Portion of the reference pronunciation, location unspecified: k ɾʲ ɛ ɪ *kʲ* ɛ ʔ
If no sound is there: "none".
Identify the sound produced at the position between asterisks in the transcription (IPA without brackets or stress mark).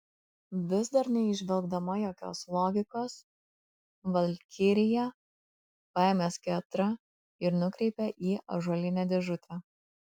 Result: pʲ